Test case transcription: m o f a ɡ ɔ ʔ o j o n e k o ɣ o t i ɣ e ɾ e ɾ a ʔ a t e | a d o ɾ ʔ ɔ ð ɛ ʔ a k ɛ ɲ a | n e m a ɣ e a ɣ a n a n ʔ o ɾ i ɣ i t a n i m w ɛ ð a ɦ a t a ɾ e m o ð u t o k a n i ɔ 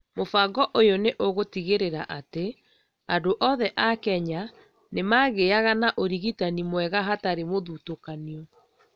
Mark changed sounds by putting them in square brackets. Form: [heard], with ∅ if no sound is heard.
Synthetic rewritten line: m o f a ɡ ɔ ʔ o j o n e [ʔ] o ɣ o t i ɣ e ɾ e ɾ a ʔ a t e | a d o [∅] ʔ ɔ ð ɛ ʔ a k ɛ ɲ a | n e m a ɣ e a ɣ a n a [∅] ʔ o ɾ i ɣ i t a n i m w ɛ [ɣ] a ɦ a t a ɾ e m o ð u t o k a n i ɔ